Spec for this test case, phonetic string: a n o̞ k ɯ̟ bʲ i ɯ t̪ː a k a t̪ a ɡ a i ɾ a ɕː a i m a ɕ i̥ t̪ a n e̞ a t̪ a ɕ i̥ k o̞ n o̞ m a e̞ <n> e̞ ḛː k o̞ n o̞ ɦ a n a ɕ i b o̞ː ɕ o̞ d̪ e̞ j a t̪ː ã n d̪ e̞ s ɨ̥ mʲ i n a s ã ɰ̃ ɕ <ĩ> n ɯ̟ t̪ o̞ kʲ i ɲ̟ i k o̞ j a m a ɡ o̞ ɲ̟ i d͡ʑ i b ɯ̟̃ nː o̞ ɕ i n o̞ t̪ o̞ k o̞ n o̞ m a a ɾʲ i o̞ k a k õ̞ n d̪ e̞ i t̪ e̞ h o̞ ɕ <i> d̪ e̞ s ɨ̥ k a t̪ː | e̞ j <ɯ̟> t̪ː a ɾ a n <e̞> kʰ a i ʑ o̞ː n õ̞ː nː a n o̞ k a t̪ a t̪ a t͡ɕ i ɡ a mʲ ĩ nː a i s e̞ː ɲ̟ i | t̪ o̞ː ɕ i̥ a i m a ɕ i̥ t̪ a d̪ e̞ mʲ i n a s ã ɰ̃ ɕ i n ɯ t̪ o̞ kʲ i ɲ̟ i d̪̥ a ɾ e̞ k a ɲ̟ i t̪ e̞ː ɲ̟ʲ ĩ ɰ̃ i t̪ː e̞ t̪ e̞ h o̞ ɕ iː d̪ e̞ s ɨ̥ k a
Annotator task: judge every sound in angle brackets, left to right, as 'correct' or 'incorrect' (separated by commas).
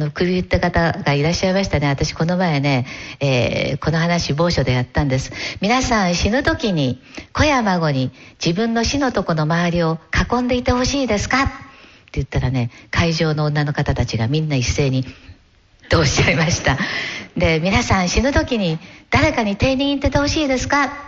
correct, incorrect, incorrect, correct, correct